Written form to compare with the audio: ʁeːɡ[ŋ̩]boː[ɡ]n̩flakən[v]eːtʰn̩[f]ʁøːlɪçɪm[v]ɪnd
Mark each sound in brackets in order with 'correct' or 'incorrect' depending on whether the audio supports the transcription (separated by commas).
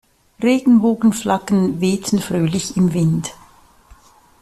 incorrect, correct, correct, correct, correct